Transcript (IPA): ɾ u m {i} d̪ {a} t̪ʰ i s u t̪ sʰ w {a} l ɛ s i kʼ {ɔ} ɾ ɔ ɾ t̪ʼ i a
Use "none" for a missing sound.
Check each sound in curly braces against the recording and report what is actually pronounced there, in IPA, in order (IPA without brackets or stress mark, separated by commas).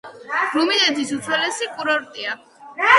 i, ɛ, ɛ, u